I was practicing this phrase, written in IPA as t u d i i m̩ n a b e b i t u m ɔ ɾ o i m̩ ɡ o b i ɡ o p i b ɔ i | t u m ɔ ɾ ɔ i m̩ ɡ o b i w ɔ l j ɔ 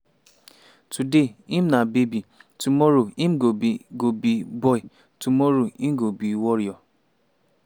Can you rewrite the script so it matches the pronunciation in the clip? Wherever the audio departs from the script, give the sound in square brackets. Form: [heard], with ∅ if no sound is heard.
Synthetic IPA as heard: t u d [e] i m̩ n a b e b i t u m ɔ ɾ o i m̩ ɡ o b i ɡ o [b] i b ɔ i | t u m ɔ ɾ [o] i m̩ ɡ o b i w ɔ [ɾ] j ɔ